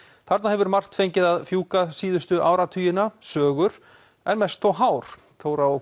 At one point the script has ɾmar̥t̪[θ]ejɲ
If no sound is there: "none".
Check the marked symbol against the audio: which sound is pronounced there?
f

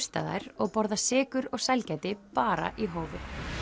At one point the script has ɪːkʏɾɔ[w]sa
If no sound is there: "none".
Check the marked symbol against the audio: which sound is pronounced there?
ɣ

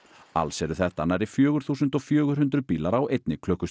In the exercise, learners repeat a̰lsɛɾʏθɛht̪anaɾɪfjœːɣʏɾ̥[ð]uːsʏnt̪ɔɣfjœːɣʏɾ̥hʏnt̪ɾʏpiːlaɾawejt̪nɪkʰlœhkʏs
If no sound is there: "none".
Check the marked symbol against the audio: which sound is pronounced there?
θ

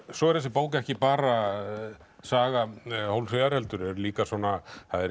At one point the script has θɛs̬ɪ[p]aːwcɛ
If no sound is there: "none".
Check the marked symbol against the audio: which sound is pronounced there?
p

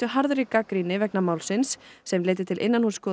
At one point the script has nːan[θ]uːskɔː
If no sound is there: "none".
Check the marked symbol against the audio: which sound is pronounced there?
h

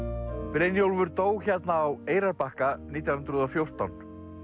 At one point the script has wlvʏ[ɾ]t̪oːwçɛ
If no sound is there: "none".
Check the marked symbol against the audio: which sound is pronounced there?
ɾ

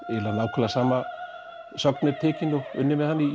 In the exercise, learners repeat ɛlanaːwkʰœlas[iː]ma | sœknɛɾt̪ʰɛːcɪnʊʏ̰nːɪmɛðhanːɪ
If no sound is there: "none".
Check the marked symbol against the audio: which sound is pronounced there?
aː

